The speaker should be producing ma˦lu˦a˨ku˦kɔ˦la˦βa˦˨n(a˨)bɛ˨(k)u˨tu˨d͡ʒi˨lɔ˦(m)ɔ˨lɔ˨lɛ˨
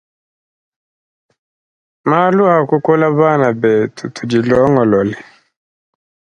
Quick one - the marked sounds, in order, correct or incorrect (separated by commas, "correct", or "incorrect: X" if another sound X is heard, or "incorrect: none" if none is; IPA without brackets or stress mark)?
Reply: correct, incorrect: t, incorrect: ŋ